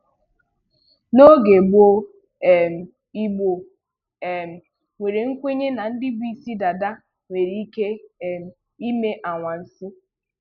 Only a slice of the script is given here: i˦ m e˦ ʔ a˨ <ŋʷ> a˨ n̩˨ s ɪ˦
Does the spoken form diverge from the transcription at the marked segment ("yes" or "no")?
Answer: no